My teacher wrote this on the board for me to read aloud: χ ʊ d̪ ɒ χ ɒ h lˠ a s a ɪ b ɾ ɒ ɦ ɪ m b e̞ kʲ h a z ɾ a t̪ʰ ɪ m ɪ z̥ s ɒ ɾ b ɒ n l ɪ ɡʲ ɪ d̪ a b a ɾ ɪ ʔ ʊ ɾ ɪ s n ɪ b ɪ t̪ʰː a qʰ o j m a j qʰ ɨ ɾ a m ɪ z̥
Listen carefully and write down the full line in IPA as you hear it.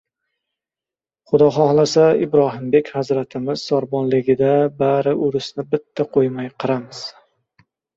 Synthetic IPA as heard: χ ʊ d̪ ɒ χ ɒ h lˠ a s a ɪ b ɾ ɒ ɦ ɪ m b e̞ kʲ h a z ɾ a t̪ʰ ɪ m ɪ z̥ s ɒ ɾ b ɒ n l ɪ ɡʲ ɪ d̪ a b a ɾ ɪ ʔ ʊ ɾ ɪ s n ɪ b ɪ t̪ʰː a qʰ o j m a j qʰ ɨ ɾ a m ɪ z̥